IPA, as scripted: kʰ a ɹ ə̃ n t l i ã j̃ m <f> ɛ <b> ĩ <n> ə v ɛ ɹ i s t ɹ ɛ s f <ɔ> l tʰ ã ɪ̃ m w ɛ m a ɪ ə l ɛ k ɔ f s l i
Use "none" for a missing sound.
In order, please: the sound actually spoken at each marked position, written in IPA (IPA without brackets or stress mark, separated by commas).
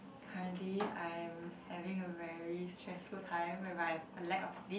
h, v, ŋ, u